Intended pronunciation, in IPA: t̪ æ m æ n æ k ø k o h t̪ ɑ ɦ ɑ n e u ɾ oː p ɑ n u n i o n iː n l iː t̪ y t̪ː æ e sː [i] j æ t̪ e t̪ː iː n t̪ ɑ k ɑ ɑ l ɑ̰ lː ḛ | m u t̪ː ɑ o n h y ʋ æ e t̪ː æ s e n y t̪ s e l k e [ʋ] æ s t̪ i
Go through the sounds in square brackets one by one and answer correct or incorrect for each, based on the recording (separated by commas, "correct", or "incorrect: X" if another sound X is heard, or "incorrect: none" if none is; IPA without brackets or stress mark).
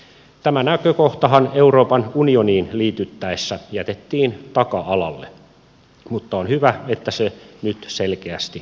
incorrect: æ, incorrect: none